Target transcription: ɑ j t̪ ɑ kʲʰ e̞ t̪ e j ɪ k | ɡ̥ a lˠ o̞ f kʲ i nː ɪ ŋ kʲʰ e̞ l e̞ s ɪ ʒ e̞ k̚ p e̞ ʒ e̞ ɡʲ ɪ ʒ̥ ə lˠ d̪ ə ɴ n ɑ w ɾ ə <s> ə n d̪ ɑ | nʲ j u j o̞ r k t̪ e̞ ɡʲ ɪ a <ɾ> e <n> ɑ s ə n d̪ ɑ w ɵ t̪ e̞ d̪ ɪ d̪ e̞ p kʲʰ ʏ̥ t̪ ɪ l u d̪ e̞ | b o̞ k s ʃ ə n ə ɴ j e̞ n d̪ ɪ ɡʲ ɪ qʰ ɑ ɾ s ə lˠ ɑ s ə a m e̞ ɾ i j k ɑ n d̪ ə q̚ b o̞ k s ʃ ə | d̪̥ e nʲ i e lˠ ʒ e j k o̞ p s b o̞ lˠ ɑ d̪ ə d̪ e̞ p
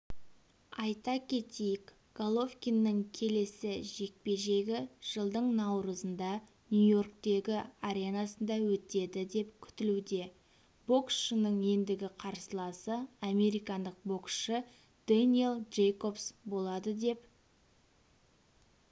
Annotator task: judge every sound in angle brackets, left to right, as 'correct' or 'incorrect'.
incorrect: z, correct, correct

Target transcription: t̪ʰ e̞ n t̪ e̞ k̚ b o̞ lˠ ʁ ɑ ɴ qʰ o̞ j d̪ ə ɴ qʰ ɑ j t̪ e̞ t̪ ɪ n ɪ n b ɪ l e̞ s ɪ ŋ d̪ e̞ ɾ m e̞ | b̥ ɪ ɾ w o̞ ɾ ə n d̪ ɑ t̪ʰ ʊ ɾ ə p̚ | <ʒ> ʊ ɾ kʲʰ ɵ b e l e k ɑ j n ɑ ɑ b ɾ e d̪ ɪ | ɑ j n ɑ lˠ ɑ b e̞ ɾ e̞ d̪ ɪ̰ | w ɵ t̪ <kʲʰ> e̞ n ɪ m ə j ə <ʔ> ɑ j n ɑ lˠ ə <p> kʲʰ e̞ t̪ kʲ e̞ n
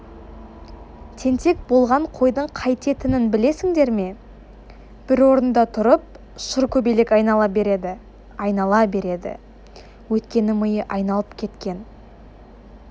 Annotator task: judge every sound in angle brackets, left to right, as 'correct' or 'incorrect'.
incorrect: ʃ, incorrect: kʲ, correct, correct

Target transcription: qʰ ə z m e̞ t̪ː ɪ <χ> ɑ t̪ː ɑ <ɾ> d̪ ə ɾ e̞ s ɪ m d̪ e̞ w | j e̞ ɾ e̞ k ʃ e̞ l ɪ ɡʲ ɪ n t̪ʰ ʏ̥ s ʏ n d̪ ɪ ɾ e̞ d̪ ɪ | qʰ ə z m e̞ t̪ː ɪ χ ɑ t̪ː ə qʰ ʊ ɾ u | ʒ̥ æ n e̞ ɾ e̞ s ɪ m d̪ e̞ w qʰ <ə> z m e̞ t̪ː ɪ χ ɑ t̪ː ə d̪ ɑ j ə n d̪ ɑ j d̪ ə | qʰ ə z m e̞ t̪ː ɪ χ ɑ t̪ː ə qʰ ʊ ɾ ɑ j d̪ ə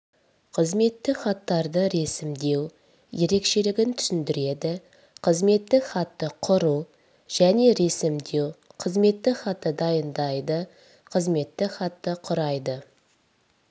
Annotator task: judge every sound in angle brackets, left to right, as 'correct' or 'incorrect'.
correct, correct, correct

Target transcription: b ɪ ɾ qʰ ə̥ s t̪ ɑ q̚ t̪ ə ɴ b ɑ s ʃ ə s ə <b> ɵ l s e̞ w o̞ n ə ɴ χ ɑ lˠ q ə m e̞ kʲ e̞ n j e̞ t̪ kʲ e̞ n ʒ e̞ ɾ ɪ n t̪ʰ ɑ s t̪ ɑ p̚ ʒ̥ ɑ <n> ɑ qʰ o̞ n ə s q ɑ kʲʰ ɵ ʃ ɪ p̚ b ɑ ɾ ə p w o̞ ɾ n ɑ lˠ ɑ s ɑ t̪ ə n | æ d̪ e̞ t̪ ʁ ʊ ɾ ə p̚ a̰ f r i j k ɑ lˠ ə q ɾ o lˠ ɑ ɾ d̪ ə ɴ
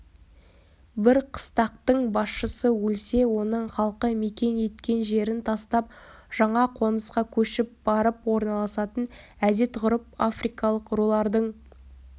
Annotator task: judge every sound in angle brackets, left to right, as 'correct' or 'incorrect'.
incorrect: w, incorrect: ɴ

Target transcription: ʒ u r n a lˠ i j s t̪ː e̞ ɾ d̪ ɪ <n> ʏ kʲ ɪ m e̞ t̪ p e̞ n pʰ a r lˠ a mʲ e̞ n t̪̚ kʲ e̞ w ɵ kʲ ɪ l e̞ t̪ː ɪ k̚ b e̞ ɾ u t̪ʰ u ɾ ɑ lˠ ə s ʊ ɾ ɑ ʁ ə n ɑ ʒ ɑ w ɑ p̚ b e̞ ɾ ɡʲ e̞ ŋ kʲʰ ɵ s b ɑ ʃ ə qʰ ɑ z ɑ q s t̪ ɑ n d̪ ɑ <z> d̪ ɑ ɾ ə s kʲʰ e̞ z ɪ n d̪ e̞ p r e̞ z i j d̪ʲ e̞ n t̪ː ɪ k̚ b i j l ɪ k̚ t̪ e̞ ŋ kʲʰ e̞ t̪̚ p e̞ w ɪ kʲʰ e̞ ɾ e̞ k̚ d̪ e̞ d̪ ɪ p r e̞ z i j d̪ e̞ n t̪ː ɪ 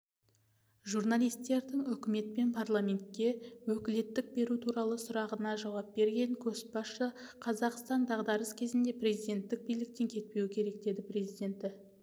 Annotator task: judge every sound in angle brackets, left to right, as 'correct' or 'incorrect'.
incorrect: ŋ, incorrect: ʁ

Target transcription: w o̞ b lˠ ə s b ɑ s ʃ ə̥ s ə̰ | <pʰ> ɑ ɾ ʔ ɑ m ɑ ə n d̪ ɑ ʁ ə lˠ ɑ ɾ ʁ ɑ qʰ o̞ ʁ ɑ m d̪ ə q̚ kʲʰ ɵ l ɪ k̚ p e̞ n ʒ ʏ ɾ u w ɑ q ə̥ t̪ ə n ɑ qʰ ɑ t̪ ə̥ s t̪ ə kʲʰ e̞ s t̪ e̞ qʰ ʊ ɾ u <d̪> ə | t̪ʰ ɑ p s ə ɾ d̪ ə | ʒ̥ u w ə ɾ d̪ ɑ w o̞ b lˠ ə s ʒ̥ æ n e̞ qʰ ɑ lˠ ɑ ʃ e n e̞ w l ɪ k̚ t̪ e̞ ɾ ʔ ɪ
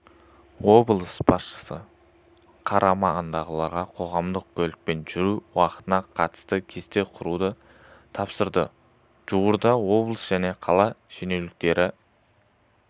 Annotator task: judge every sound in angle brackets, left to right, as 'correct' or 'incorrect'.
incorrect: qʰ, correct

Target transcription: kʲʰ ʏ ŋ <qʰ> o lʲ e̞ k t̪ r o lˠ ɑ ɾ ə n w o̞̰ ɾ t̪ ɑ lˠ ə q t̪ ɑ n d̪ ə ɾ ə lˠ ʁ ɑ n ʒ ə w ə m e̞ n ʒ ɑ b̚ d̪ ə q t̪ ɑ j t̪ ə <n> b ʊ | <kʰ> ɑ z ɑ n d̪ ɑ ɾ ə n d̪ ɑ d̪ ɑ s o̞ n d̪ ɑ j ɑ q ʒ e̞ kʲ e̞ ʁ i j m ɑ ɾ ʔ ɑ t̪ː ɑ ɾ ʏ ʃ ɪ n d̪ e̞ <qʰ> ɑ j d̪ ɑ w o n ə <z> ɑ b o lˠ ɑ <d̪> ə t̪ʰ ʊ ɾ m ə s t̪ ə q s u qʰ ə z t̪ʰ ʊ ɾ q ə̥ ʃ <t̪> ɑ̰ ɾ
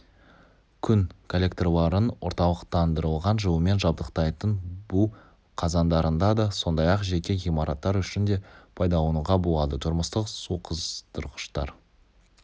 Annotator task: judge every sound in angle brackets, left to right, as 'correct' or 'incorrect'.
incorrect: kʰ, correct, incorrect: qʰ, incorrect: pʰ, incorrect: ʁ, correct, correct

